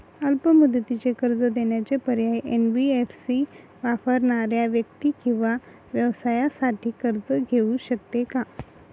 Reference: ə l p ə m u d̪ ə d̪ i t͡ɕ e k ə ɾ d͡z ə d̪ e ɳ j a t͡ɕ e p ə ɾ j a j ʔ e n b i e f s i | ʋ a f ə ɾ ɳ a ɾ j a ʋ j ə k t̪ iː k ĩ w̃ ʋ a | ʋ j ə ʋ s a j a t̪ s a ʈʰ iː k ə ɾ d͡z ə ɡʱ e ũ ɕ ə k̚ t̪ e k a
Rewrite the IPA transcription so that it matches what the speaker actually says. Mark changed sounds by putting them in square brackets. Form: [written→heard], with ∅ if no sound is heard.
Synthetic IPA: ə l p ə m u d̪ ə [d̪→t̪] i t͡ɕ e k ə ɾ d͡z ə d̪ e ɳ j a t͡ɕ e p ə ɾ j a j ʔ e n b i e f s i | ʋ a f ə ɾ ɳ a ɾ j a ʋ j ə k t̪ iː k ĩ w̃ ʋ a | ʋ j ə ʋ s a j a [t̪→∅] s a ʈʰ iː k ə ɾ d͡z ə ɡʱ e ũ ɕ ə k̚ t̪ e k a

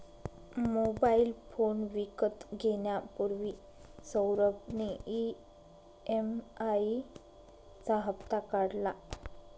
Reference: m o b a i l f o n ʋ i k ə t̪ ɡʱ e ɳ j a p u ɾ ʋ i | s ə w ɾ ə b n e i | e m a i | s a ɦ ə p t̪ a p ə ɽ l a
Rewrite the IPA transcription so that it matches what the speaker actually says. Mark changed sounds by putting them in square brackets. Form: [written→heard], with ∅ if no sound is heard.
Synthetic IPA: m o b a i l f o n ʋ i k ə t̪ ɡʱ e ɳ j a p u ɾ ʋ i | s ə w ɾ ə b n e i | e m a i | [s→t͡s] a ɦ ə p t̪ a [p→k] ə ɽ l a

